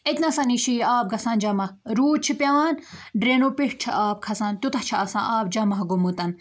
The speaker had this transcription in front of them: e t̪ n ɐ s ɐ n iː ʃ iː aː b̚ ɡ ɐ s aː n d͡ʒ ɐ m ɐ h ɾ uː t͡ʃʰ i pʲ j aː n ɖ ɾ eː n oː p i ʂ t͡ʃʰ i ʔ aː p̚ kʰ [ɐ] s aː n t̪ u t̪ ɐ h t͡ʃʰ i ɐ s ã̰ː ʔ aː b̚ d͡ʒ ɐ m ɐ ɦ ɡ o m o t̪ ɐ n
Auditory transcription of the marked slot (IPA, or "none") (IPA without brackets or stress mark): ɐ